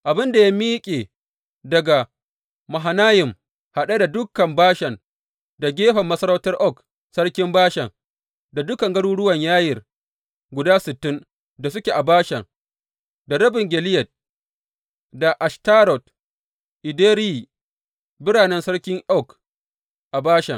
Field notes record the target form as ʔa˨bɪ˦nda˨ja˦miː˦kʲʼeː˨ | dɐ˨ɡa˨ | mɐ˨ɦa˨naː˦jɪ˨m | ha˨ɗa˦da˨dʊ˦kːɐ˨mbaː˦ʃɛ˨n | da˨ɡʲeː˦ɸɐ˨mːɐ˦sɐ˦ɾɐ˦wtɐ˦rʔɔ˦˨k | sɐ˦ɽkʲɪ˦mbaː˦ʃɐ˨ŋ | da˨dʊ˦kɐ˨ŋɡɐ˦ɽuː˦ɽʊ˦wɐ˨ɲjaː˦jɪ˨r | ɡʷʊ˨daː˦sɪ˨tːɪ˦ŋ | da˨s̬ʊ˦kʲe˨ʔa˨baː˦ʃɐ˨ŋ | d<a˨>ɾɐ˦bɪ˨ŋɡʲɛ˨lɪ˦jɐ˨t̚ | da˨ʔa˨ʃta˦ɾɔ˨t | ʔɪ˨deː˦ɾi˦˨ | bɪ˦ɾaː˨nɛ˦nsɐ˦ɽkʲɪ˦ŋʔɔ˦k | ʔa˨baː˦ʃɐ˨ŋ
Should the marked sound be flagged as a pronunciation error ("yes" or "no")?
no